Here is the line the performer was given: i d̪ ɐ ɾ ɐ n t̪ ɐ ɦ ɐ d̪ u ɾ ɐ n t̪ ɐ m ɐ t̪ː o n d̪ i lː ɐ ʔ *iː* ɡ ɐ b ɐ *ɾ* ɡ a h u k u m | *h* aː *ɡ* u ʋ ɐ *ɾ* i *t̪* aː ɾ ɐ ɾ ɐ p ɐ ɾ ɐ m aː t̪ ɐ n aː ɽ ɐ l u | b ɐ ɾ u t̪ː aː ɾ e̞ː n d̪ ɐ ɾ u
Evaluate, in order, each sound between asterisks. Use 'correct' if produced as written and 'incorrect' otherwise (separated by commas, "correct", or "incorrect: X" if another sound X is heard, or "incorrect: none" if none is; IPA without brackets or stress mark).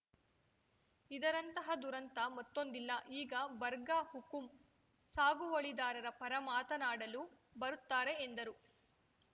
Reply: correct, correct, incorrect: s, correct, incorrect: ɭ, incorrect: d̪